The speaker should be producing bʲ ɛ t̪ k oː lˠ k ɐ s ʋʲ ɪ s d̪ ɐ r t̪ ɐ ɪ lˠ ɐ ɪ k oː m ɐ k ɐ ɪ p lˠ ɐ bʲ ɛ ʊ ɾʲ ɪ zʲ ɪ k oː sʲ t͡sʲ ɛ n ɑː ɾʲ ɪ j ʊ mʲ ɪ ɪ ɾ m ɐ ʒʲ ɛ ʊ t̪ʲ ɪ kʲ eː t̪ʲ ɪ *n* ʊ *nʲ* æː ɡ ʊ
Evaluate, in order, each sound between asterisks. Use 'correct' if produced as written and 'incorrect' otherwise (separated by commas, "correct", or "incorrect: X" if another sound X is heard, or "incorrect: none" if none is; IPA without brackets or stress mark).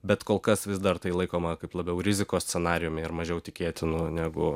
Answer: correct, correct